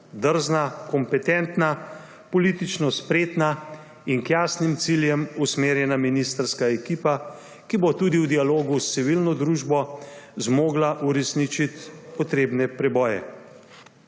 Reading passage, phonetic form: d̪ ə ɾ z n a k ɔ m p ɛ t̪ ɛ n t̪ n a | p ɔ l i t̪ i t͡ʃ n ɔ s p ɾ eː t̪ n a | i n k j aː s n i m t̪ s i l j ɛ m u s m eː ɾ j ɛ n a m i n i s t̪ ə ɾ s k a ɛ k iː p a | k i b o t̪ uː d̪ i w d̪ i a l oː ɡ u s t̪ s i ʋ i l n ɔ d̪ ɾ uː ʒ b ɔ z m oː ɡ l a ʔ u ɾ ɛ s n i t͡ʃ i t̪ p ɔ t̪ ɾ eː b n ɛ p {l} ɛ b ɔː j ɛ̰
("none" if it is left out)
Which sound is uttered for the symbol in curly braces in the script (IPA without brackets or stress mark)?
ɾ